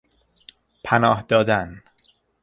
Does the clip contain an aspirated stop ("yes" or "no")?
yes